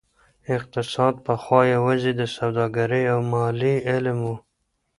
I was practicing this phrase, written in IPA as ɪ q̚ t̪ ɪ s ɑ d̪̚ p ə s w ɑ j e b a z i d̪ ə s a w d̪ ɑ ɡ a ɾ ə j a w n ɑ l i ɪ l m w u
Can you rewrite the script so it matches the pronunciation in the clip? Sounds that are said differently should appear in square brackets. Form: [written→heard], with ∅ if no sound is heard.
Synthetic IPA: ɪ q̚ t̪ ɪ s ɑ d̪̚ p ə [s→x] w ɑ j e [b→w] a z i d̪ ə s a w d̪ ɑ ɡ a ɾ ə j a w [n→m] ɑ l i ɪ l m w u